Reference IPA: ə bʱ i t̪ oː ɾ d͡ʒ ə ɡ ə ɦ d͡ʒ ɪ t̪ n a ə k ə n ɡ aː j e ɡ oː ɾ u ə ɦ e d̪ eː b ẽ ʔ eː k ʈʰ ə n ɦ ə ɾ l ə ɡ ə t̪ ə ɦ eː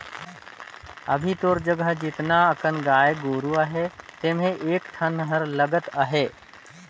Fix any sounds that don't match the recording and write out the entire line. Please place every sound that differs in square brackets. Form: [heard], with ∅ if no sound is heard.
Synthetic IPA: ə bʱ i t̪ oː ɾ d͡ʒ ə ɡ ə ɦ d͡ʒ ɪ t̪ n a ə k ə n ɡ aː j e ɡ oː ɾ u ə ɦ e [t̪] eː [m] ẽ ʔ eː k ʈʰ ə n ɦ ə ɾ l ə ɡ ə t̪ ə ɦ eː